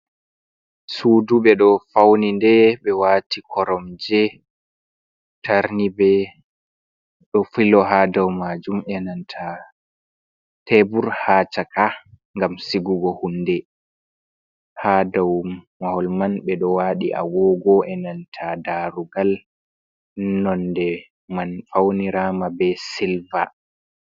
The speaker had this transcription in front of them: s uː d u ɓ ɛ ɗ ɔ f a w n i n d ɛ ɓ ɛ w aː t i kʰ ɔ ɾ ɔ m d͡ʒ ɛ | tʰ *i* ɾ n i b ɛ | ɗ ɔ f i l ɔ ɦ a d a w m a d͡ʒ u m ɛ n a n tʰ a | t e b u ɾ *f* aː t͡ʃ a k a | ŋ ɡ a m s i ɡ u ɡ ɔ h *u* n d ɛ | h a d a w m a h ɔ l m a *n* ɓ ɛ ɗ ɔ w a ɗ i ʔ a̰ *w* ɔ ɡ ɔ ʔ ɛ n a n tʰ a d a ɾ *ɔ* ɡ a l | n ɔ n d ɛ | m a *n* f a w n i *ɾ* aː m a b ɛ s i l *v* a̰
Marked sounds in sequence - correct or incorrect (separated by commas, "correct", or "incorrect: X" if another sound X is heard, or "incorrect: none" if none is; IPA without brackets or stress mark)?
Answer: incorrect: a, incorrect: h, correct, correct, correct, incorrect: u, correct, correct, correct